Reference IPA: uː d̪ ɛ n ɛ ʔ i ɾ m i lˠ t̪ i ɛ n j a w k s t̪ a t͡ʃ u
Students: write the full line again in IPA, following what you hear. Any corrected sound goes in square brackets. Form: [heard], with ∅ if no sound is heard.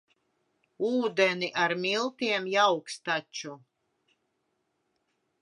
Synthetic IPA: uː d̪ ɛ n [i] ʔ [a] ɾ m i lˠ t̪ i ɛ [m] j a w k s t̪ a t͡ʃ u